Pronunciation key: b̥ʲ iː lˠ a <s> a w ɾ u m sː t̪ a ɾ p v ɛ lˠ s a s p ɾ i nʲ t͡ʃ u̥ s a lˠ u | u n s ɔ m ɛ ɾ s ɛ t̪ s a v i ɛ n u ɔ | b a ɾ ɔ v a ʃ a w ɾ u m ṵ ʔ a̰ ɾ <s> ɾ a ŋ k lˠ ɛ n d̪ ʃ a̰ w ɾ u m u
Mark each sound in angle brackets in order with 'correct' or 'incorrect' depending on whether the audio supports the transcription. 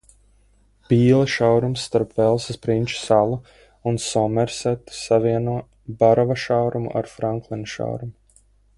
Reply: incorrect: ʃ, incorrect: f

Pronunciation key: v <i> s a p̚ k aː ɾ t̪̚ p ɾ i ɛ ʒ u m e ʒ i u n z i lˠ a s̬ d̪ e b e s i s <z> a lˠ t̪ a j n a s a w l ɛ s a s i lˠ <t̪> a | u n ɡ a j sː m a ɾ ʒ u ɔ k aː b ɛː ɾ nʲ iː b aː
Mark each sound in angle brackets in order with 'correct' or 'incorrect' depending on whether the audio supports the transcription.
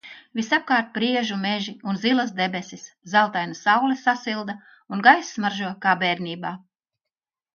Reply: correct, correct, incorrect: d̪

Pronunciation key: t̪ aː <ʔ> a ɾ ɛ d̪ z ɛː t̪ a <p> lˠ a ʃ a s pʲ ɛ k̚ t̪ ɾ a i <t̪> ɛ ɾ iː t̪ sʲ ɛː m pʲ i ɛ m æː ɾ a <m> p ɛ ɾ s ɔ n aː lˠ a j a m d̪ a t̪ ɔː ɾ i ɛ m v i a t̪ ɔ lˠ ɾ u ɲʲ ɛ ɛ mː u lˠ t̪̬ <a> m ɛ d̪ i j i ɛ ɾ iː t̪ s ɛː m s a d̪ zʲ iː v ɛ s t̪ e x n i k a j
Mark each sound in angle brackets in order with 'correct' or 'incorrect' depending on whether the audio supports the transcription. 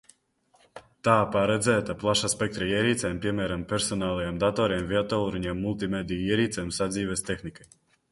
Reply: incorrect: p, correct, incorrect: none, correct, incorrect: i

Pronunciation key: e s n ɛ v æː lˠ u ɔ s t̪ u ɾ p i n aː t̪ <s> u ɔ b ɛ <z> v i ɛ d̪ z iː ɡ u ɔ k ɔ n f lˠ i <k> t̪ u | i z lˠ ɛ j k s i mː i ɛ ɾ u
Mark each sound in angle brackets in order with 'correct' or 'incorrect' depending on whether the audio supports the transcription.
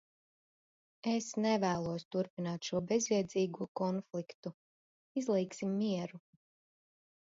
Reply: incorrect: ʃ, correct, correct

